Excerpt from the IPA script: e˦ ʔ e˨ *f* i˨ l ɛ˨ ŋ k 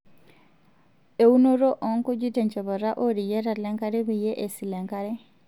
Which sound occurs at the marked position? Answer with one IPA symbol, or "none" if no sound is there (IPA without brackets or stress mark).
s